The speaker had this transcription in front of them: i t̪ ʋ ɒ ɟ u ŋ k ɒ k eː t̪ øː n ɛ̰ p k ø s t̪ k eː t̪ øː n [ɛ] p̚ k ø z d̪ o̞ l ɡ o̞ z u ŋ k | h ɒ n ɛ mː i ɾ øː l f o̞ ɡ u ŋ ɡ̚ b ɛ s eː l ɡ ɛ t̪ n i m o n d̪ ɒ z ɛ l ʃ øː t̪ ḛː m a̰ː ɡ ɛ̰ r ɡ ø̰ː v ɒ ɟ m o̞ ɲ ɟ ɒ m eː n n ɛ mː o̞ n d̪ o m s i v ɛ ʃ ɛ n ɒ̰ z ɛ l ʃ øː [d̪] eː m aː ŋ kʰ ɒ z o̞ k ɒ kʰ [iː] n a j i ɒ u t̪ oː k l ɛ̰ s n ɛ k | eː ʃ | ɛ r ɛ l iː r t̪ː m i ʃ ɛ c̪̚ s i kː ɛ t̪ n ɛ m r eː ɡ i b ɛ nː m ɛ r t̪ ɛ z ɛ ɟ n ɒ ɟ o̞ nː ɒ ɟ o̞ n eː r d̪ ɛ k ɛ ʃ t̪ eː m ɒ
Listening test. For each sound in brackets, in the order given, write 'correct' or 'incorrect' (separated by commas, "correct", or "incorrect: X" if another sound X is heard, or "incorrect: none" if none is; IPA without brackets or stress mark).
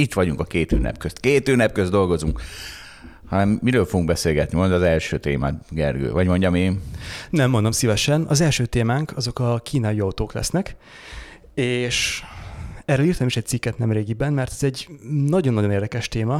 correct, incorrect: t̪, correct